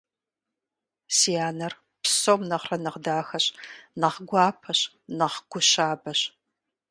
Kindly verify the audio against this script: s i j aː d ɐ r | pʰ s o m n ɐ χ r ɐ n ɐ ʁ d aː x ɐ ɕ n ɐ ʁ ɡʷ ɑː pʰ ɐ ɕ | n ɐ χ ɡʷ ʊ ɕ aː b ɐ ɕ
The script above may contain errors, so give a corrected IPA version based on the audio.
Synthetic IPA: s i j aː n ɐ r | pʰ s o m n ɐ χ r ɐ n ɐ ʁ d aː x ɐ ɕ n ɐ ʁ ɡʷ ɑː pʰ ɐ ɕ | n ɐ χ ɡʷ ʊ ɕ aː b ɐ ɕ